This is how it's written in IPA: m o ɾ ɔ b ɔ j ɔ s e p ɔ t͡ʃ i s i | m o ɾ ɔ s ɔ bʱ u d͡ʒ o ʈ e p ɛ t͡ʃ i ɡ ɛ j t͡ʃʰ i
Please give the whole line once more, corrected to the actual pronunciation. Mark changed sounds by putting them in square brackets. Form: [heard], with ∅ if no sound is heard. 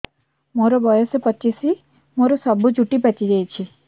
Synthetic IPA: m o ɾ ɔ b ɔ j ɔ s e p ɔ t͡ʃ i s i | m o ɾ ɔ s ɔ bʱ u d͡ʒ [u] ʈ [i] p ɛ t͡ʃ i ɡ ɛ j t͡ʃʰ i